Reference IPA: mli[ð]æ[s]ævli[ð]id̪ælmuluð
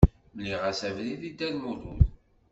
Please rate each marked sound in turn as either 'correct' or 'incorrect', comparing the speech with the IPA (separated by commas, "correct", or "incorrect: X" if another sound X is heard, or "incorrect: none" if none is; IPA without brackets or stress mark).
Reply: incorrect: ʁ, correct, correct